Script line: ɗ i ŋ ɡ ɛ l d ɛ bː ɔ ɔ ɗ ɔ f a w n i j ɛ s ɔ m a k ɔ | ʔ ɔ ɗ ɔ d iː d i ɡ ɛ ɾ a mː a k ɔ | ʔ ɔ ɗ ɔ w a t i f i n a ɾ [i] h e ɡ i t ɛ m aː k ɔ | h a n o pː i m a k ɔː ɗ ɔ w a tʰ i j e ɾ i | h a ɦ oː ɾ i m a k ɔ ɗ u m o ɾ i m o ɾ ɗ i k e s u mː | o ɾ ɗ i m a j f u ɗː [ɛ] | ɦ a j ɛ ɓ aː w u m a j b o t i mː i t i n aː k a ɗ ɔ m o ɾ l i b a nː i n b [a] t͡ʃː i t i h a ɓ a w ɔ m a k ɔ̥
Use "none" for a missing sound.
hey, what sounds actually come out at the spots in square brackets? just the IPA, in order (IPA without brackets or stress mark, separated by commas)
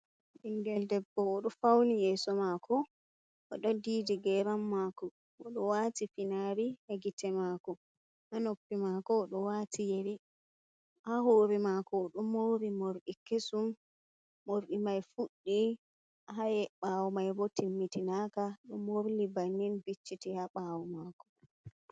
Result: i, i, i